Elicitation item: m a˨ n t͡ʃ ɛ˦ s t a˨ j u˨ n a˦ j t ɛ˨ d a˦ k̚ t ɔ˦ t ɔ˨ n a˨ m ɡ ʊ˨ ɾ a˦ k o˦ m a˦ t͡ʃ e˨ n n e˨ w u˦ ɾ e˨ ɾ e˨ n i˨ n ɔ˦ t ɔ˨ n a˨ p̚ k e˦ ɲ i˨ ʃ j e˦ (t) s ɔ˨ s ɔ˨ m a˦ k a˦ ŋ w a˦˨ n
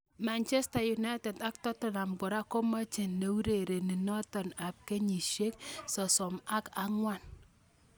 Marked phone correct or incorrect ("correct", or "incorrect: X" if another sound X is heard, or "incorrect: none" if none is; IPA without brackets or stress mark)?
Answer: incorrect: k